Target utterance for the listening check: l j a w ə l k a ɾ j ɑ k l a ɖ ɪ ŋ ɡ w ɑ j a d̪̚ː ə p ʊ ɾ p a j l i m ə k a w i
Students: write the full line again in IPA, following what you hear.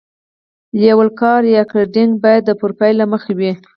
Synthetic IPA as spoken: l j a w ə l k ɑ ɾ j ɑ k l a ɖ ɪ ŋ ɡ b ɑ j a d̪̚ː ə p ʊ ɾ p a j l a m ə x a w i